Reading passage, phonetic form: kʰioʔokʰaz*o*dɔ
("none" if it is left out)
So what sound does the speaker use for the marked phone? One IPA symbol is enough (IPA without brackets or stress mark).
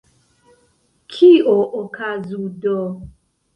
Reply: u